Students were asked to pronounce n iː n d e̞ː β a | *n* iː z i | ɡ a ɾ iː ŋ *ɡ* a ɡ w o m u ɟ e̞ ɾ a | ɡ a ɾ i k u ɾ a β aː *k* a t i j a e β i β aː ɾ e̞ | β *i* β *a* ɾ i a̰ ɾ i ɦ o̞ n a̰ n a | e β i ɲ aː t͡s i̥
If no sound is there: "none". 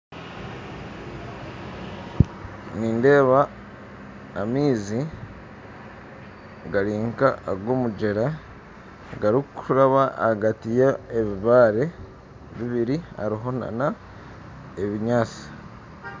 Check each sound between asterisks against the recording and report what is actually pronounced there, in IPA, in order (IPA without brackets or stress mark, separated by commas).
m, k, ɡ, i, i